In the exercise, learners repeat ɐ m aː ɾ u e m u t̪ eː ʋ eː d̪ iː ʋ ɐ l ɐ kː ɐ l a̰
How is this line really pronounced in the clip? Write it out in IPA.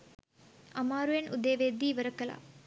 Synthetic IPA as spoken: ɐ m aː ɾ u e n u d̪ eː ʋ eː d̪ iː ʋ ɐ ɾ ɐ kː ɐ l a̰